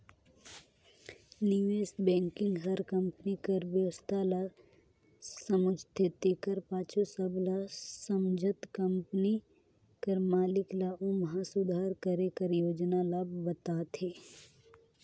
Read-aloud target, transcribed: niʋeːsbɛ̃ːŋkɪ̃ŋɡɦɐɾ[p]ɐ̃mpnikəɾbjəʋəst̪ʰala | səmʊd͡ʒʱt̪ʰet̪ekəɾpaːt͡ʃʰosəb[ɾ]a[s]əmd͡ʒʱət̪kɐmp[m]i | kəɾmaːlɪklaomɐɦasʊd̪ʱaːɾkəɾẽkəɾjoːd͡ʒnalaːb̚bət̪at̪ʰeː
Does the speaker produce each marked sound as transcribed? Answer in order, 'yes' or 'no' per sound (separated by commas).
no, no, yes, no